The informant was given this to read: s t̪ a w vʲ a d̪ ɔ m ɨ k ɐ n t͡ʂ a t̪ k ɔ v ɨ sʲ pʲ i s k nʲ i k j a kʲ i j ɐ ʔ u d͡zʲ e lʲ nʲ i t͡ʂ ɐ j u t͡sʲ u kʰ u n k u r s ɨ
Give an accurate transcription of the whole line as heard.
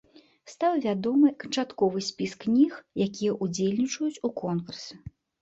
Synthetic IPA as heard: s t̪ a w vʲ a d̪ ɔ m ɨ k ɐ n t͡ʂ a t̪ k ɔ v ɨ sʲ pʲ i s k nʲ i x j a kʲ i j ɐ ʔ u d͡zʲ e lʲ nʲ i t͡ʂ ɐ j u t͡sʲ u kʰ ɔ n k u r s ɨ

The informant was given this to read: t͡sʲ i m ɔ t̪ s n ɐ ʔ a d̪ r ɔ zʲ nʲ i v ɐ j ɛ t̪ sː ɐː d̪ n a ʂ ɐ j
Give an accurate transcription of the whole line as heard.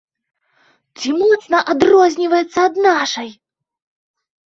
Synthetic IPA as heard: t͡sʲ i m ɔ t̪ s n ɐ ʔ a d̪ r ɔ zʲ nʲ i v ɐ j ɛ t̪ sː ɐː d̪ n a ʂ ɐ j

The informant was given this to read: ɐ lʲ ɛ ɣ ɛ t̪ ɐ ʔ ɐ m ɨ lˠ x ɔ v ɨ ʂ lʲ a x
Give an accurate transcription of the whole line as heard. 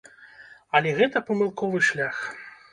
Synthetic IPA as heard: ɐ lʲ ɛ ɣ ɛ t̪ ɐ p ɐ m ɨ lˠ k ɔ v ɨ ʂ lʲ a x

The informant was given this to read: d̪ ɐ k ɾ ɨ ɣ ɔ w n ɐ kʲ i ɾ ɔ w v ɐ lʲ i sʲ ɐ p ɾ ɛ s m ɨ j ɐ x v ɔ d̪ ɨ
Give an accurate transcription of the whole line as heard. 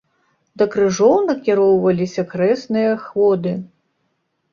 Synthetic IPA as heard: d̪ ɐ k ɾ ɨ ʐ ɔ w n ɐ kʲ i ɾ ɔ w v ɐ lʲ i sʲ ɐ k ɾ ɛ s n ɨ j ɐ x v ɔ d̪ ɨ

